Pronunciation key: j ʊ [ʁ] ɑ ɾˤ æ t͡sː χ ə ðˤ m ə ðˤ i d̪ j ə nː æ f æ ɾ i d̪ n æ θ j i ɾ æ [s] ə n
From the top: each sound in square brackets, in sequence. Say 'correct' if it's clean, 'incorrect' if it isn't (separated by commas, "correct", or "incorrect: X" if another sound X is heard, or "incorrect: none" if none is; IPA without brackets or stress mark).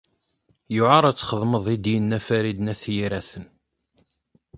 incorrect: ʕ, incorrect: θ